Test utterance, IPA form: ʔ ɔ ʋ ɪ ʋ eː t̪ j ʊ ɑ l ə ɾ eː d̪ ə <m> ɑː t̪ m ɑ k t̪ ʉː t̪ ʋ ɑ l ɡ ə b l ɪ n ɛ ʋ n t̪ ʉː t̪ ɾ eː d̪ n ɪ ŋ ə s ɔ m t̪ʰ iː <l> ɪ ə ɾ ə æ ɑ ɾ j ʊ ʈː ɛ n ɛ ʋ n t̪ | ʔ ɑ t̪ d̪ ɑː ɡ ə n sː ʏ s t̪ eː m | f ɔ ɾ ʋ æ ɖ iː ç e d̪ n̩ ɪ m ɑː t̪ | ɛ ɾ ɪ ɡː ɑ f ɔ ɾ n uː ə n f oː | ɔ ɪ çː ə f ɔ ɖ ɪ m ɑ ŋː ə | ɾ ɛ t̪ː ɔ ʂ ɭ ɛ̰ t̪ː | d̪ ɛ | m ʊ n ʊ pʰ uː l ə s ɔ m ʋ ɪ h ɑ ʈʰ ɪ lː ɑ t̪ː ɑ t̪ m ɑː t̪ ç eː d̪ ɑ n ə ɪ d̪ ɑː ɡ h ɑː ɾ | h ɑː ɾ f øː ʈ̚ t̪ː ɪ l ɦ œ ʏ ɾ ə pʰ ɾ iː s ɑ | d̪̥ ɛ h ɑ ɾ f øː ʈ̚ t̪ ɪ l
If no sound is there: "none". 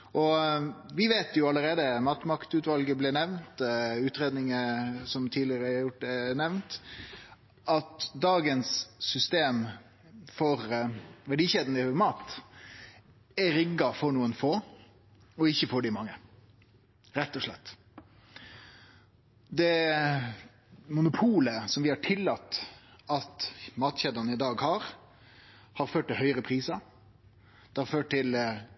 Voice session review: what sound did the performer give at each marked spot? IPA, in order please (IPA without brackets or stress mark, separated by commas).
m, l